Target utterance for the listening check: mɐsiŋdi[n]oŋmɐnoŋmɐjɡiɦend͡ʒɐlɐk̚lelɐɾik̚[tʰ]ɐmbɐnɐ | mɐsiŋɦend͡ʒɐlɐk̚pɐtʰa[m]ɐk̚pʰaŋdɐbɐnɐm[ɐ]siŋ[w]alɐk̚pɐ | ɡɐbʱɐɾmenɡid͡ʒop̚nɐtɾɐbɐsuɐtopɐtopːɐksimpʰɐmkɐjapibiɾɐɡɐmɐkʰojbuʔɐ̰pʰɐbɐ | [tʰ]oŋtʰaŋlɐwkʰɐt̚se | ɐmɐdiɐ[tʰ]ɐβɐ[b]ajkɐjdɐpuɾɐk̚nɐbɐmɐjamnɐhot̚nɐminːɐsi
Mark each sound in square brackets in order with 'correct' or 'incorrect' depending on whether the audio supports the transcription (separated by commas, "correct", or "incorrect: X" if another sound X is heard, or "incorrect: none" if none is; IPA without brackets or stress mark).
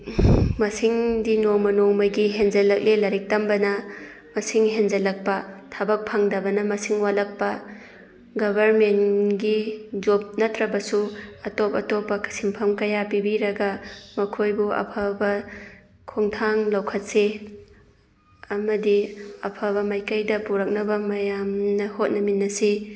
correct, incorrect: t, incorrect: b, correct, correct, incorrect: kʰ, incorrect: pʰ, incorrect: m